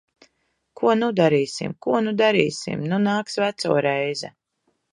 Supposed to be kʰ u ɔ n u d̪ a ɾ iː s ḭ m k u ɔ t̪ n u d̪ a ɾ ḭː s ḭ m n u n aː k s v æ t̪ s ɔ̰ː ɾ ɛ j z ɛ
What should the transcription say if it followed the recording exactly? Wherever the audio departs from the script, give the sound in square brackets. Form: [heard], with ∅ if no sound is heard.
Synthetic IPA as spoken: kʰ u ɔ n u d̪ a ɾ iː s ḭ m k u ɔ [∅] n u d̪ a ɾ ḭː s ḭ m n u n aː k s v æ t̪ s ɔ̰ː ɾ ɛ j z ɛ